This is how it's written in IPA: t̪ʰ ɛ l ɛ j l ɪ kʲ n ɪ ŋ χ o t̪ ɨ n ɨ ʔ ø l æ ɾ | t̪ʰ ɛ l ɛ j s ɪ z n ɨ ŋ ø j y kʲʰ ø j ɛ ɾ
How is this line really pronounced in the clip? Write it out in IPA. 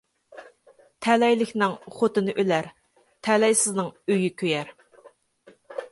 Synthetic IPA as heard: t̪ʰ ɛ l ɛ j l ɪ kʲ n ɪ ŋ χ o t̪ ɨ n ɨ ʔ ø l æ ɾ | t̪ʰ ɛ l ɛ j s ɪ z n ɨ ŋ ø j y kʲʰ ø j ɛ ɾ